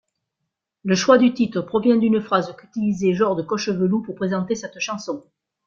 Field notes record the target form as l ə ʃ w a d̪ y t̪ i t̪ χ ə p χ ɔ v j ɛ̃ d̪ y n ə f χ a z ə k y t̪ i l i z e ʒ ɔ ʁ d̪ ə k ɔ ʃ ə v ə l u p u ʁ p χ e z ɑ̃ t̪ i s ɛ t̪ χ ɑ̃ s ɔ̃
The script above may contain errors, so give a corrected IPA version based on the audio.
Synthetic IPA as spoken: l ə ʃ w a d̪ y t̪ i t̪ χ ə p χ ɔ v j ɛ̃ d̪ y n ə f χ a z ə k y t̪ i l i z e ʒ ɔ ʁ d̪ ə k ɔ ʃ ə v ə l u p u ʁ p χ e z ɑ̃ t̪ e s ɛ t̪ ʃ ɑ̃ s ɔ̃